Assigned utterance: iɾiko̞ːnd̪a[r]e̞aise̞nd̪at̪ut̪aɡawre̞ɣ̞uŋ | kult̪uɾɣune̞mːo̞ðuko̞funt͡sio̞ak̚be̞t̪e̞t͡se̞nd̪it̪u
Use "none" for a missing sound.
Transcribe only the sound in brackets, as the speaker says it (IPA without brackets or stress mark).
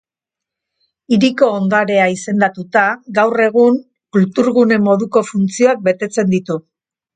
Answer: ɾ